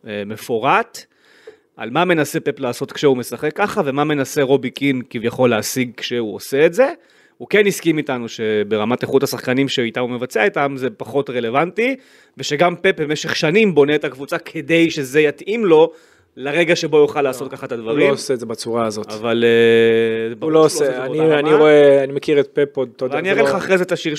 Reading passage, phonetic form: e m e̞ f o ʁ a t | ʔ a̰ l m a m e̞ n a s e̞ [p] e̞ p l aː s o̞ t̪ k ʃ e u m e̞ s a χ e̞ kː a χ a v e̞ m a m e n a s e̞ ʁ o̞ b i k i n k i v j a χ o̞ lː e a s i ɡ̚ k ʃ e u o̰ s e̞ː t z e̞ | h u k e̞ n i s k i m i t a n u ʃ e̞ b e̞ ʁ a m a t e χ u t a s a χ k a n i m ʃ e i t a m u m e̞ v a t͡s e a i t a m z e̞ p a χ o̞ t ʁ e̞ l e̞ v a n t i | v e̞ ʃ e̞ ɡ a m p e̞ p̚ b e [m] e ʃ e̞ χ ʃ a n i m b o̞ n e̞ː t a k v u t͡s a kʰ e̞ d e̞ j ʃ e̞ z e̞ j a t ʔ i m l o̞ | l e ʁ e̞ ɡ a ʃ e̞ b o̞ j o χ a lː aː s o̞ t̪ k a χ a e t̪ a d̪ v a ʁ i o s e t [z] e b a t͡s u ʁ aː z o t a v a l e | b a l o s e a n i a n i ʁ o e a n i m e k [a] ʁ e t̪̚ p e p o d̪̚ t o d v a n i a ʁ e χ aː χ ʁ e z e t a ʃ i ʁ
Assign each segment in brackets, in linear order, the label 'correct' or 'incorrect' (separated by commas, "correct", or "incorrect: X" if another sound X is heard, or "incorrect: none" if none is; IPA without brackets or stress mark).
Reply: correct, correct, correct, incorrect: i